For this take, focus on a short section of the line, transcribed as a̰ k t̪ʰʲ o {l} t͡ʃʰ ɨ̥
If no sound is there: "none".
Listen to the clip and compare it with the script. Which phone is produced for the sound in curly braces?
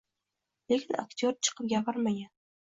ɾ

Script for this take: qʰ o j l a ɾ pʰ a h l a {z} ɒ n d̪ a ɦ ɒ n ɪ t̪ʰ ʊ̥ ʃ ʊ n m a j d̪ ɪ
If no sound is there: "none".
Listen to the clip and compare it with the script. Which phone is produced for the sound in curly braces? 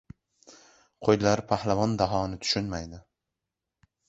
v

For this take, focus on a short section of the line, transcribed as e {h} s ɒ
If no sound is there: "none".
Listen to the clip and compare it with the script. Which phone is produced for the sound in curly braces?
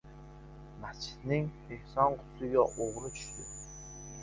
h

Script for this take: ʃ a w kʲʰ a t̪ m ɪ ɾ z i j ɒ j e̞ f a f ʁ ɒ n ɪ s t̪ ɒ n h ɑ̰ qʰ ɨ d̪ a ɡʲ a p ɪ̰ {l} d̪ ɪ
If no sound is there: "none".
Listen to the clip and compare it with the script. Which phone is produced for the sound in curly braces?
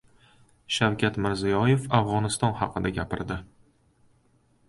ɾ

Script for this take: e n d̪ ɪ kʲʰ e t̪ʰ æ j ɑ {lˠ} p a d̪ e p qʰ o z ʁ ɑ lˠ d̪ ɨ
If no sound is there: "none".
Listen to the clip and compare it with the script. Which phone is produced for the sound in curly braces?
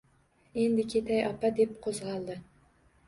none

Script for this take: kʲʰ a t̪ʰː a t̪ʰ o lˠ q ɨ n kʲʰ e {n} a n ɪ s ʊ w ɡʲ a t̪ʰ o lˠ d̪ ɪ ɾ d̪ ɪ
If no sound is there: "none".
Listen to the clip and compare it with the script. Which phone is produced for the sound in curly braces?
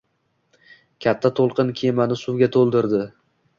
m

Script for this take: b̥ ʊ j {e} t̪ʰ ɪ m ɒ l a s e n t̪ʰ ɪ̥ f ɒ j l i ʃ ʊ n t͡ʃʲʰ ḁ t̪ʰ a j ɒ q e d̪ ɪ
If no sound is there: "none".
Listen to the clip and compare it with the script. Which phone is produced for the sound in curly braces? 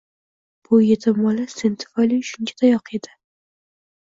e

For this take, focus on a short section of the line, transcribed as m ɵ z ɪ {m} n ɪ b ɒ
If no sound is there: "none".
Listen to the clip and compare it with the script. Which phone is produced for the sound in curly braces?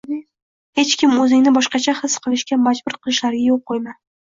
ŋ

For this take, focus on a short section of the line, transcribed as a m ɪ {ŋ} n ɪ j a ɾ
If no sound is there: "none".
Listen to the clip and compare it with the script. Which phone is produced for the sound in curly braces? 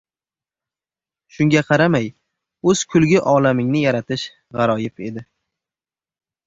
ŋ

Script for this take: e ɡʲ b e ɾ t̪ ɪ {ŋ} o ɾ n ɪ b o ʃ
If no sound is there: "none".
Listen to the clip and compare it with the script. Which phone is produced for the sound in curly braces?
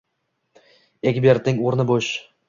ŋ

